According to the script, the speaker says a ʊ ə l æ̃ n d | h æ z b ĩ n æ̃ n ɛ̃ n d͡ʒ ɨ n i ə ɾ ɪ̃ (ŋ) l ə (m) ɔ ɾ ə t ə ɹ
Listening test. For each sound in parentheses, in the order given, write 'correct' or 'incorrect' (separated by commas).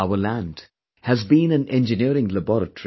correct, incorrect